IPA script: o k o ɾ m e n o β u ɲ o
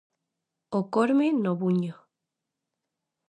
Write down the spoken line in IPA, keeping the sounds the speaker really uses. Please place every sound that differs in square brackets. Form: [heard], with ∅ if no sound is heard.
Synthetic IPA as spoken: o k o ɾ m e n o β u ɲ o